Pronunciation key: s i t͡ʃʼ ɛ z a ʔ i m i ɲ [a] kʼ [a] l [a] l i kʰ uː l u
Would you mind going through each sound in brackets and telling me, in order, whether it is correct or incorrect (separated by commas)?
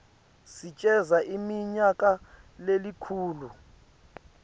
correct, correct, incorrect